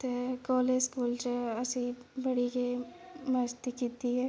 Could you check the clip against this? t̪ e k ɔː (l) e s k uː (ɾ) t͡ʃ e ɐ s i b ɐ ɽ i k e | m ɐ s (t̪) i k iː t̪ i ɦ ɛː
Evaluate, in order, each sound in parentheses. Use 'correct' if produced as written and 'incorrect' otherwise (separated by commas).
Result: correct, incorrect, correct